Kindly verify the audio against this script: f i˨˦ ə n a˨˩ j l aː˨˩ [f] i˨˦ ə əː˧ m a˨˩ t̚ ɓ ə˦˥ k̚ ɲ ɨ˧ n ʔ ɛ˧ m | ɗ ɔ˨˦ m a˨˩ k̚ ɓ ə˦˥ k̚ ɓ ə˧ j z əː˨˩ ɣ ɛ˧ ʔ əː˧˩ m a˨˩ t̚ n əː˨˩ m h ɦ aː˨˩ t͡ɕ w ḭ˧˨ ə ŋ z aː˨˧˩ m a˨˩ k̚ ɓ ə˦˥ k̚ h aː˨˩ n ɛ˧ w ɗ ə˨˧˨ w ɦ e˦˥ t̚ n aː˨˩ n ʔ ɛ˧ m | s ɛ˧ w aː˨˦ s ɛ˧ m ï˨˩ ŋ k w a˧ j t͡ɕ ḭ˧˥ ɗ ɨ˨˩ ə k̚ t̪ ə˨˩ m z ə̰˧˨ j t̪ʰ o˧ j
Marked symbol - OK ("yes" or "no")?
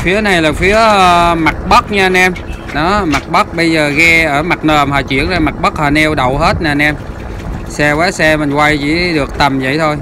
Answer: yes